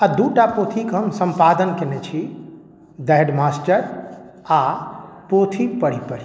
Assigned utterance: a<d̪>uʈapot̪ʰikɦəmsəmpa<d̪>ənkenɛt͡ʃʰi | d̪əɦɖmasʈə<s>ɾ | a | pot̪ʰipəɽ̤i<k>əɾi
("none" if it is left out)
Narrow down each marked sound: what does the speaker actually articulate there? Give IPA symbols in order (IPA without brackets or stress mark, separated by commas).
d̪, d̪, none, p